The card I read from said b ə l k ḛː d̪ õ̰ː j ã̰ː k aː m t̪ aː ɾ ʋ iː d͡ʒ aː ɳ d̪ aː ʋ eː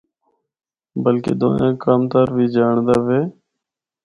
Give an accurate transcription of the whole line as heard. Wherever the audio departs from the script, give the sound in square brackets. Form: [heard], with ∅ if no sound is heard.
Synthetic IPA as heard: b ə l k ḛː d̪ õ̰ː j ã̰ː k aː m t̪ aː ɾ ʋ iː d͡ʒ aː ɳ d̪ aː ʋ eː